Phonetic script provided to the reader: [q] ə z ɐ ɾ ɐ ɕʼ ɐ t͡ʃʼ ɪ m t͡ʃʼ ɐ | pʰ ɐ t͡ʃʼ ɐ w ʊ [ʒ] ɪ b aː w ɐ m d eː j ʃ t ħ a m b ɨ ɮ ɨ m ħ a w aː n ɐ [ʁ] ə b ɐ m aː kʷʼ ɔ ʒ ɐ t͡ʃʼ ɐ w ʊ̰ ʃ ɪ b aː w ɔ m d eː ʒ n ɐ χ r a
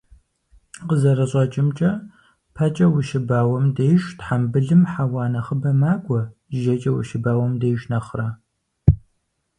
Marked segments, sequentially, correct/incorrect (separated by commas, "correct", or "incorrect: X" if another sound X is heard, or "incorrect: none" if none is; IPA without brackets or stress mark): correct, incorrect: ʃ, incorrect: χ